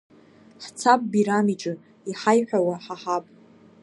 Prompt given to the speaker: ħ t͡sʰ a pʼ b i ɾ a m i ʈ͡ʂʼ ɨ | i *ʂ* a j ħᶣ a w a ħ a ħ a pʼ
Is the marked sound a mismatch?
yes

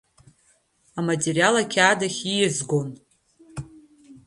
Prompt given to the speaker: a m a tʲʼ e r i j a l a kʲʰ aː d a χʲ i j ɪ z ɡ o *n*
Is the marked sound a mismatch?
no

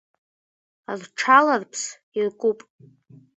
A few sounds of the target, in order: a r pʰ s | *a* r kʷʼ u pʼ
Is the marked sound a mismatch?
yes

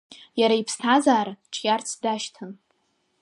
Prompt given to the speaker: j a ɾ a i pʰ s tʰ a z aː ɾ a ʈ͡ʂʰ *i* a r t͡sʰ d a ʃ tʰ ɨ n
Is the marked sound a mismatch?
yes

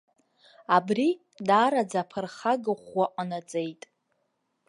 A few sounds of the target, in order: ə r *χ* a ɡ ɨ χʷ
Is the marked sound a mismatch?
no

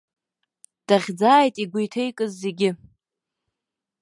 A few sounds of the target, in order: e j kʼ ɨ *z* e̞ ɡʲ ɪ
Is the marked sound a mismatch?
yes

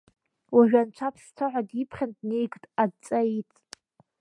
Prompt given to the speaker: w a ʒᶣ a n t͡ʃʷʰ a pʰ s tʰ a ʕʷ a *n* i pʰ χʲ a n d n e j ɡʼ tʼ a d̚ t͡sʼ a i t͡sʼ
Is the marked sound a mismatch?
yes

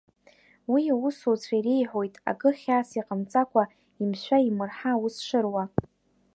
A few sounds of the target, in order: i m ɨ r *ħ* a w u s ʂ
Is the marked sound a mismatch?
no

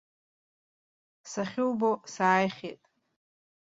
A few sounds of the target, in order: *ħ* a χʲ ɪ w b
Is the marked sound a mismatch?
yes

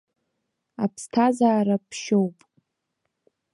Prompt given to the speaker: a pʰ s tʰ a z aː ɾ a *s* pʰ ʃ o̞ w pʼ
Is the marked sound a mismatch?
yes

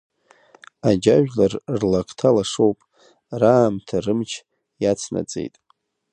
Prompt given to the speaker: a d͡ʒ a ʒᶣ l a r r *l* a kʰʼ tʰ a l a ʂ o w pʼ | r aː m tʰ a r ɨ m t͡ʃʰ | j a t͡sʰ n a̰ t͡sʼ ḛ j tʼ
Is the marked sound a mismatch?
no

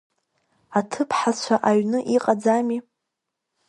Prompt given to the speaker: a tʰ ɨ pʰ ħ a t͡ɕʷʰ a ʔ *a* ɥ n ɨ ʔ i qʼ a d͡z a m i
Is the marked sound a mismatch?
no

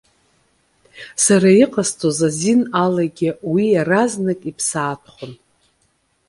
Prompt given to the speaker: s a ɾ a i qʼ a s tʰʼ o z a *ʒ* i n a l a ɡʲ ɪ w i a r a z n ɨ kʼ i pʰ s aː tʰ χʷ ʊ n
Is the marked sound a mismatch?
yes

